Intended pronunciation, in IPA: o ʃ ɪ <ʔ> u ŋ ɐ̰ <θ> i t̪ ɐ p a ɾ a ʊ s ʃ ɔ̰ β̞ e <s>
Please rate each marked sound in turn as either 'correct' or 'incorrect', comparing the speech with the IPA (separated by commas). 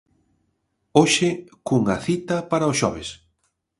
incorrect, correct, correct